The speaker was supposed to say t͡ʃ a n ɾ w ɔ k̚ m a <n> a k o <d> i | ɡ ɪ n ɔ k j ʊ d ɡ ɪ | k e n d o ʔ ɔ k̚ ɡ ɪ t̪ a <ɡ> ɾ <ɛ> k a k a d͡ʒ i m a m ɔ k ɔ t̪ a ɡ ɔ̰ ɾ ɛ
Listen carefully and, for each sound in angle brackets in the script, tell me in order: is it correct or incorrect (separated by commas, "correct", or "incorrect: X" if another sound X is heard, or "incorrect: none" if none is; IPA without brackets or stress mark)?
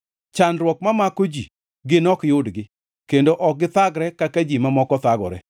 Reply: incorrect: m, incorrect: d͡ʒ, correct, correct